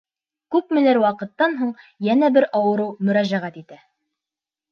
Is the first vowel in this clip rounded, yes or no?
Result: yes